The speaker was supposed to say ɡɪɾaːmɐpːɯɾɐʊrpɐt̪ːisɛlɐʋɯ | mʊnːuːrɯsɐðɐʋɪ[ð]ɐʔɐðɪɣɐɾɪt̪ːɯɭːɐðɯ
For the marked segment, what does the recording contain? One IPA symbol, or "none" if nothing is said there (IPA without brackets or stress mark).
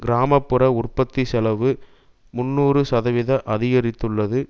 ð